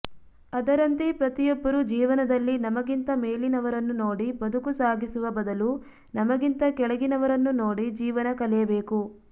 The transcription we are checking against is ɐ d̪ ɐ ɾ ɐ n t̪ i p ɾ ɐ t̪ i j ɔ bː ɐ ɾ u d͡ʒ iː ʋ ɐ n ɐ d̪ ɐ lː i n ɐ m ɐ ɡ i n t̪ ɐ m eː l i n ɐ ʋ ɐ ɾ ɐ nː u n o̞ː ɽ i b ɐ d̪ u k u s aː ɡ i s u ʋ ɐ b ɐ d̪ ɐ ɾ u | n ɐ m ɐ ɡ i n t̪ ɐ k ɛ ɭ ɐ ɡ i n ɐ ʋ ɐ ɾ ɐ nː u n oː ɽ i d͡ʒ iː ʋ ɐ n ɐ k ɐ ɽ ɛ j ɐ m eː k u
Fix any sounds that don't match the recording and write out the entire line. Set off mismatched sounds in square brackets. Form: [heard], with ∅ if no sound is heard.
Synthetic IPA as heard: ɐ d̪ ɐ ɾ ɐ n t̪ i p ɾ ɐ t̪ i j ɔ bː ɐ ɾ u d͡ʒ iː ʋ ɐ n ɐ d̪ ɐ lː i n ɐ m ɐ ɡ i n t̪ ɐ m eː l i n ɐ ʋ ɐ ɾ ɐ nː u n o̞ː ɽ i b ɐ d̪ u k u s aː ɡ i s u ʋ ɐ b ɐ d̪ ɐ [l] u | n ɐ m ɐ ɡ i n t̪ ɐ k ɛ ɭ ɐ ɡ i n ɐ ʋ ɐ ɾ ɐ nː u n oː ɽ i d͡ʒ iː ʋ ɐ n ɐ k ɐ [l] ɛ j ɐ [b] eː k u